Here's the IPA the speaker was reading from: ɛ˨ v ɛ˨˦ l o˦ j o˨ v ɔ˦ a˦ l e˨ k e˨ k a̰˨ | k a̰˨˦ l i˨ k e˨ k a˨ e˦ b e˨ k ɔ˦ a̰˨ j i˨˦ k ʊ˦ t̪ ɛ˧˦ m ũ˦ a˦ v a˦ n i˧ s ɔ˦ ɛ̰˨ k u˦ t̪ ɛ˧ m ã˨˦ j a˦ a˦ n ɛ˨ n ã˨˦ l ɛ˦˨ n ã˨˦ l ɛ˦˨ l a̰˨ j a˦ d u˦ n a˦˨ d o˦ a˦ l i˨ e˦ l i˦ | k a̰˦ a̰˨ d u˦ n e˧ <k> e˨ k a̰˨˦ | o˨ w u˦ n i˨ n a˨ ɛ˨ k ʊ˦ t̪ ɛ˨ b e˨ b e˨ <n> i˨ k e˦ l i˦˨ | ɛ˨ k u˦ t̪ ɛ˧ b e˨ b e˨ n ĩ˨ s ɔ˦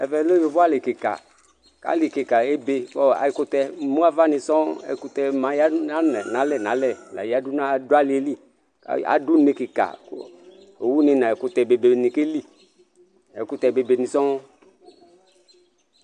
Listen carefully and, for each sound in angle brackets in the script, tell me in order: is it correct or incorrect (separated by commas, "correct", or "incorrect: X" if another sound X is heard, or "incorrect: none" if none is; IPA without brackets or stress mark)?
correct, correct